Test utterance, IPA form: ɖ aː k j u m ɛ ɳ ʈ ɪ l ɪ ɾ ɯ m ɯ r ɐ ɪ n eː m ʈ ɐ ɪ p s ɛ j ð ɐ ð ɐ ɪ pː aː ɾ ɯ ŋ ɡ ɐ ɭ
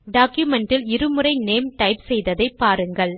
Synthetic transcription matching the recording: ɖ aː k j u m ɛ ɳ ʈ ɪ l ɪ ɾ ɯ m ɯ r ɐ ɪ n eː m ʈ ɐ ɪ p s ɛ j ð ɐ ð ɐ ɪ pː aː ɾ ɯ ŋ ɡ ɐ ɭ